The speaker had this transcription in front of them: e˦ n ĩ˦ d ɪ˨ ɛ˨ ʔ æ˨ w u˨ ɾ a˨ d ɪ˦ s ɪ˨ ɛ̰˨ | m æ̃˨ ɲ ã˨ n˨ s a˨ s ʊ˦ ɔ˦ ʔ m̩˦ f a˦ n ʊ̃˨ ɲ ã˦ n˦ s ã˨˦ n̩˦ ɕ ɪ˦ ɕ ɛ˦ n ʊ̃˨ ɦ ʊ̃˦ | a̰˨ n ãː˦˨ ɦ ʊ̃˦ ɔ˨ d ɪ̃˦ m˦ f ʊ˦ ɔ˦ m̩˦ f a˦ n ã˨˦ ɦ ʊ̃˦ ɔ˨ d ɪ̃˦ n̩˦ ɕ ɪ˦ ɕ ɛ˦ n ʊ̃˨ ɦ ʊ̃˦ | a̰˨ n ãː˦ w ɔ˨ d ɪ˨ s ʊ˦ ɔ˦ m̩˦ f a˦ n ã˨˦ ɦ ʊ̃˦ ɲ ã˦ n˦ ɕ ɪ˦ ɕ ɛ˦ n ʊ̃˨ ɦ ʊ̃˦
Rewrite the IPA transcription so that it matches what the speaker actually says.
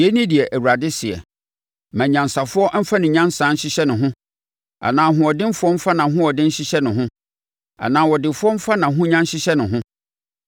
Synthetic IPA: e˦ n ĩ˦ d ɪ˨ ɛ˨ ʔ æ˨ w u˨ ɾ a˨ d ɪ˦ s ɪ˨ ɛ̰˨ | m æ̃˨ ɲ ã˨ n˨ s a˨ f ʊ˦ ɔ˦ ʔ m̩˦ f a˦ n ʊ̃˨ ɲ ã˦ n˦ s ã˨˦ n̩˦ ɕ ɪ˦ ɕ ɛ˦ n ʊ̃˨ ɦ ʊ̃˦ | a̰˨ n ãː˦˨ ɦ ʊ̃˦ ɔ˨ d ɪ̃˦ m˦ f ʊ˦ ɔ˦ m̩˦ f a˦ n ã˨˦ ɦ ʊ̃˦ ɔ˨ d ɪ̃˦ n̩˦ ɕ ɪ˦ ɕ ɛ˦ n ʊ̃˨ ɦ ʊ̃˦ | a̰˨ n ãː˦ w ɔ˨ d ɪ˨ f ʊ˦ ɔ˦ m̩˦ f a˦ n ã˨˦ ɦ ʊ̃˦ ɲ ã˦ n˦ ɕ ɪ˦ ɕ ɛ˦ n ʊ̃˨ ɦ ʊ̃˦